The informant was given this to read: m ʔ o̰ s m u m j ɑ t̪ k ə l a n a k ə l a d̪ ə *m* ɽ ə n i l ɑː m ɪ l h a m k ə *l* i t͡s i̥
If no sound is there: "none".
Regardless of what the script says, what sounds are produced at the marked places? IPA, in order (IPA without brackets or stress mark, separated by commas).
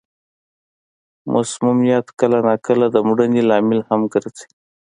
m, ɾ